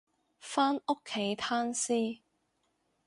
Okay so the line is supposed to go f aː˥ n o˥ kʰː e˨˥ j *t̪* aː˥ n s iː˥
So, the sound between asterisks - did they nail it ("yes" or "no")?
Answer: no